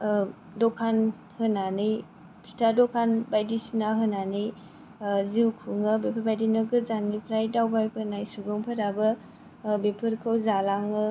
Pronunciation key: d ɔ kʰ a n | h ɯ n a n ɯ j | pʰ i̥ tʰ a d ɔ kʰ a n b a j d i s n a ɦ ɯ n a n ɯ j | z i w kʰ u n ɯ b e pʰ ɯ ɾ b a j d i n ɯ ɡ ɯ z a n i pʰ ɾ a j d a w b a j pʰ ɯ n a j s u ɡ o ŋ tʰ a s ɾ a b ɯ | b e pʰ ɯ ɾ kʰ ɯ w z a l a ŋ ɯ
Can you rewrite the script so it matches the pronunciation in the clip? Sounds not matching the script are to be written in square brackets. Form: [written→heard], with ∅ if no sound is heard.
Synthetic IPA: d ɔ kʰ a n | h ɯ n a n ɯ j | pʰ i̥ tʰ a d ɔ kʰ a n b a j d i s n a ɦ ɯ n a n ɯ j | z i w kʰ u [n→ŋ] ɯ b e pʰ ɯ ɾ b a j d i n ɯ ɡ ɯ z a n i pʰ ɾ a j d a w b a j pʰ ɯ n a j s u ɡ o ŋ [tʰ→pʰ] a [s→∅] ɾ a b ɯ | b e pʰ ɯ ɾ kʰ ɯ w z a l a ŋ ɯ